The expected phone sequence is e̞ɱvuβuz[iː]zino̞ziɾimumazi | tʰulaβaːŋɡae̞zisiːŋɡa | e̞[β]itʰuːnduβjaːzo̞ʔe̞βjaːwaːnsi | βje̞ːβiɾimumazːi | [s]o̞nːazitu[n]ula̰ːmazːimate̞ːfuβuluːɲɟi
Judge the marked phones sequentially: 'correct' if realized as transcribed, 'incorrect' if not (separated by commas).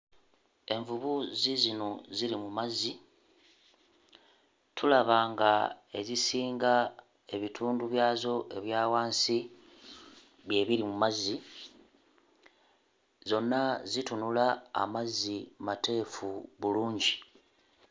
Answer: incorrect, correct, incorrect, correct